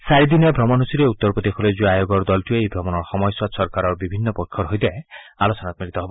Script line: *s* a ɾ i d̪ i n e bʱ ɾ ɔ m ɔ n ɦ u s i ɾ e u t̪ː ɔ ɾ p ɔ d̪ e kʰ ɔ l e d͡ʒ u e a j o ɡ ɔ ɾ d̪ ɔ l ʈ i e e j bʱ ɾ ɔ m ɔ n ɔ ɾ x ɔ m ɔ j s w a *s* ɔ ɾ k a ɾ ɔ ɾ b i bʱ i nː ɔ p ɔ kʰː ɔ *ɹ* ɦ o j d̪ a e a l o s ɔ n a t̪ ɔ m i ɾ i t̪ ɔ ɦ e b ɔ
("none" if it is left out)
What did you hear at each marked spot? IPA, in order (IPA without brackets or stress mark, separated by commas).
s, s, ɾ